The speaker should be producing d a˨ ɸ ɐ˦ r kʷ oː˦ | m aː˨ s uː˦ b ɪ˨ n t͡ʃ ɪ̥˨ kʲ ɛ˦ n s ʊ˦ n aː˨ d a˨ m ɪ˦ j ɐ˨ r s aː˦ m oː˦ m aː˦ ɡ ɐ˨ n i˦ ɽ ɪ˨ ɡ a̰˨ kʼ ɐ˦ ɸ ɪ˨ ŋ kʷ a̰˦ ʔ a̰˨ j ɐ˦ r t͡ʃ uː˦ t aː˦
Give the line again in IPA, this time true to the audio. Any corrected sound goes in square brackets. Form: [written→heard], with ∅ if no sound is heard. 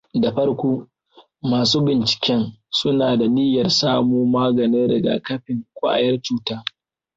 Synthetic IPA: d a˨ ɸ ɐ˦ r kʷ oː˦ | m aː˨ s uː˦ b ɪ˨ n t͡ʃ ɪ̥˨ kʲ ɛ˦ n s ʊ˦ n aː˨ d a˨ [m→n] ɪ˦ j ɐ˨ r s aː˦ m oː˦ m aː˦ ɡ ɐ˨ n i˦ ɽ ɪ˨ ɡ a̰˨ [kʼ→k] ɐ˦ ɸ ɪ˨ ŋ kʷ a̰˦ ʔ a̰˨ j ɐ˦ r t͡ʃ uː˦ t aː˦